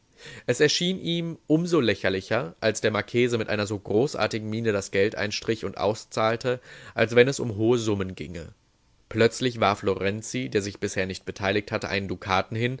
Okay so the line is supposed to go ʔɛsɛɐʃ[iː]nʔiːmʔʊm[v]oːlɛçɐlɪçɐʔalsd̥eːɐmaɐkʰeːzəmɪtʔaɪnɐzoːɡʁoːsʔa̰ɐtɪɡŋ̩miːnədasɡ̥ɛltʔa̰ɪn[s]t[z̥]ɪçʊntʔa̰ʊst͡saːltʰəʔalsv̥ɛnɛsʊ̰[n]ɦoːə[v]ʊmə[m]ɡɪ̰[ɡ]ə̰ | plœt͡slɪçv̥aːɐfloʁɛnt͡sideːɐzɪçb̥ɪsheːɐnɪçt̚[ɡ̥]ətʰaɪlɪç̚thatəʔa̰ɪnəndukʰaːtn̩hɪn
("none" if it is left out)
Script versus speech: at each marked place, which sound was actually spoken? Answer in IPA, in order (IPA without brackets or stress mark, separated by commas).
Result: iː, z, ʃ, ʁ̥, m, z, n, ŋ, b̥